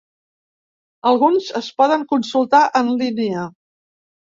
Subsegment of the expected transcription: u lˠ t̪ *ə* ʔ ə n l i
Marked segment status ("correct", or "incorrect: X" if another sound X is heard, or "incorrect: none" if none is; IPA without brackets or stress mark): incorrect: a